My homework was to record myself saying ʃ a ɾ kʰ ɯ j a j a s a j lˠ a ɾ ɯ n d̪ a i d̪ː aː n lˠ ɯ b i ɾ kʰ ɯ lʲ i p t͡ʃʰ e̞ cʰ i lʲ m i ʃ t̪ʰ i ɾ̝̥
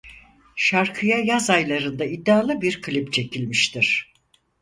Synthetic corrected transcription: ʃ a ɾ kʰ ɯ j a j a z a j lˠ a ɾ ɯ n d̪ a i d̪ː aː lˠ ɯ b i ɾ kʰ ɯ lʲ i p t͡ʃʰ e̞ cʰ i lʲ m i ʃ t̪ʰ i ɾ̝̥